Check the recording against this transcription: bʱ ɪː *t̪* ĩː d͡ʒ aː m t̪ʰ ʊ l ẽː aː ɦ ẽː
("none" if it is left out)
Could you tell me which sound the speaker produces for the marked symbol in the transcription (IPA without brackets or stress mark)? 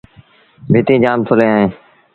t̪